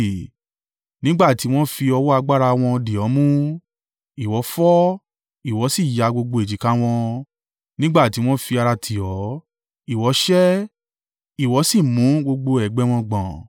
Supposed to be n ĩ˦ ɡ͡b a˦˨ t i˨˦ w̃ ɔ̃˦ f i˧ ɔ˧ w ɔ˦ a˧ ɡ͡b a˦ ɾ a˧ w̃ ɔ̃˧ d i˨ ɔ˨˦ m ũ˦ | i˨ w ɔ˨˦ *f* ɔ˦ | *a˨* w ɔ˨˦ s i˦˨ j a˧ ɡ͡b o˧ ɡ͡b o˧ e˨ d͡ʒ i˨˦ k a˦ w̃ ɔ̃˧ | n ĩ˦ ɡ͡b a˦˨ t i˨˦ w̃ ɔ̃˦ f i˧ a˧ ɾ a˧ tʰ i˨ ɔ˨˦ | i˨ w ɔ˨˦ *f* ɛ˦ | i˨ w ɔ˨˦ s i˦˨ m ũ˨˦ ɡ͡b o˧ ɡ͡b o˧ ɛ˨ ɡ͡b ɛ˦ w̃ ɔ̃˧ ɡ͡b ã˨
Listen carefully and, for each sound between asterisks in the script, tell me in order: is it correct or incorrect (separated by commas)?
correct, incorrect, incorrect